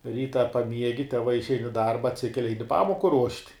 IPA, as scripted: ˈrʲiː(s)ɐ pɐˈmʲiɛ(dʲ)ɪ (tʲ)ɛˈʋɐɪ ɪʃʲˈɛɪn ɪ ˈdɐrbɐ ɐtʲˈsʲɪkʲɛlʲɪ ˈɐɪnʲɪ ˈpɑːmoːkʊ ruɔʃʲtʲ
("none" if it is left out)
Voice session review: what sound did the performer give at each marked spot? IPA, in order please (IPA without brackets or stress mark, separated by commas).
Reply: t, ɡʲ, tʲ